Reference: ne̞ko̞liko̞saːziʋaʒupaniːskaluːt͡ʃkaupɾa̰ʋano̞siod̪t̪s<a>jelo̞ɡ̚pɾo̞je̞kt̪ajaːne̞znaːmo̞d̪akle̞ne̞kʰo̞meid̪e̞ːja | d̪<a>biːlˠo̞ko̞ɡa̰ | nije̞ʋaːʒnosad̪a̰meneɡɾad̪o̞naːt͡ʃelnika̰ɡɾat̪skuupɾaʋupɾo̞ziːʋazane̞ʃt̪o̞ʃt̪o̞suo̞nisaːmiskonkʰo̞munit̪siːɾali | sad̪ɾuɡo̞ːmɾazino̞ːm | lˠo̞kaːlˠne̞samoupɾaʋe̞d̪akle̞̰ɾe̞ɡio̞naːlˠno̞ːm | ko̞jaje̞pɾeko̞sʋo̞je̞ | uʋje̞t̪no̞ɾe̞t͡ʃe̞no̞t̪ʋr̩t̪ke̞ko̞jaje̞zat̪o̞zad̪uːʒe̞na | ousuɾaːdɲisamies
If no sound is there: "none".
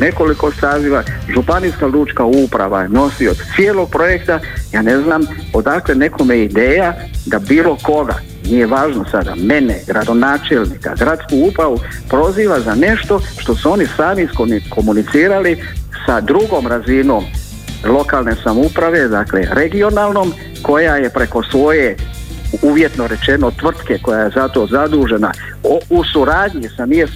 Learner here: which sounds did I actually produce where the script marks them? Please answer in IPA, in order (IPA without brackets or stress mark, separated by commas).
i, a